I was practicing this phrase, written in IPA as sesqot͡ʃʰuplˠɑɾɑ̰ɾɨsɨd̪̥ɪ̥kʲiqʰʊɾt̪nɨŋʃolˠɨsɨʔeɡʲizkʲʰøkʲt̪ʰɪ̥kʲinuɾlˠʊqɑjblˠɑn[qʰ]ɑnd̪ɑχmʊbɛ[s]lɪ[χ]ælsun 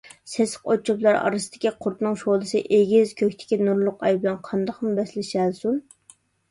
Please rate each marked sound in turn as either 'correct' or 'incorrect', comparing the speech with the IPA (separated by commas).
correct, correct, incorrect